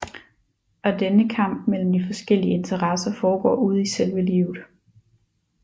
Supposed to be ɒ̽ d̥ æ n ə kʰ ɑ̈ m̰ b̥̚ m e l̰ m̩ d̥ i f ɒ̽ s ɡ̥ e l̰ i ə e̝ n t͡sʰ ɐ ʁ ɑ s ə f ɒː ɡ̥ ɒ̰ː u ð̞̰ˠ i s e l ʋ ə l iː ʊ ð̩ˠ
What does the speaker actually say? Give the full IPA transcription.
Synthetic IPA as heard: ɒ̽ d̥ e n ə kʰ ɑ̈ m̰ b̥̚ m e l̰ m̩ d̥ i f ɒ̽ s ɡ̥ e l̰ i ə e̝ n t͡sʰ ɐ ʁ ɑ s ɐ f ɒː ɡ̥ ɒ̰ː u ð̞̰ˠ i s e l ʋ ə l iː ʊ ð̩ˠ